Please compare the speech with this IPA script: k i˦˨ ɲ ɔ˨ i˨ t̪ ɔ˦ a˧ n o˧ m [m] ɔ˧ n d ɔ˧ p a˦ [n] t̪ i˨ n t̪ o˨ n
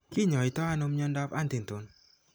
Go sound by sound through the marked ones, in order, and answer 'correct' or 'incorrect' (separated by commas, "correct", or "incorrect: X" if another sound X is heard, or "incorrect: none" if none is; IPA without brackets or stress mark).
incorrect: ɲ, correct